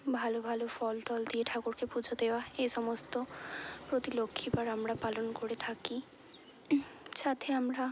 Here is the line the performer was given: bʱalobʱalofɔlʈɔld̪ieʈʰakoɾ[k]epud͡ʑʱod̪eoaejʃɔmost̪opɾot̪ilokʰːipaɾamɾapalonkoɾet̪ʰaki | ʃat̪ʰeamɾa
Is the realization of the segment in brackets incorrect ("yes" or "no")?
no